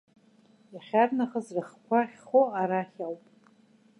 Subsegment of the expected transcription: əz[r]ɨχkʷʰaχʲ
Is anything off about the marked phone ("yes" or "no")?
no